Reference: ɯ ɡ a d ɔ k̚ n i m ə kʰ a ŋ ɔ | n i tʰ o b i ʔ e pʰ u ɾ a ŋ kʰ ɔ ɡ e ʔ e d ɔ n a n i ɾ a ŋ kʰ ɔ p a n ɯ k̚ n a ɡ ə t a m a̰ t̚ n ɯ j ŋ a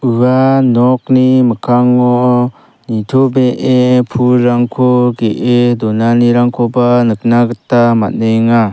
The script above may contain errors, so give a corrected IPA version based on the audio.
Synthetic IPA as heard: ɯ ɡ a n ɔ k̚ n i m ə kʰ a ŋ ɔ | n i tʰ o b e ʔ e pʰ u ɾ a ŋ kʰ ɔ ɡ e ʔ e d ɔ n a n i ɾ a ŋ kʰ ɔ b a n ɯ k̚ n a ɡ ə t a m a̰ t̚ n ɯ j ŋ a